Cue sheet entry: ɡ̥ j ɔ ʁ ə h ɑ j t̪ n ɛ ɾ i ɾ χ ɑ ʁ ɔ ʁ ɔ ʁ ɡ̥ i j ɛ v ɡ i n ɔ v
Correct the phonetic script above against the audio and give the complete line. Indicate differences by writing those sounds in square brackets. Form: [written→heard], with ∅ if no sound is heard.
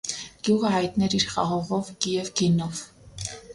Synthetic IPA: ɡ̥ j [ɔ→u] ʁ ə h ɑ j t̪ n ɛ ɾ i ɾ χ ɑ ʁ ɔ ʁ ɔ [ʁ→v] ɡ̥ i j ɛ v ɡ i n ɔ v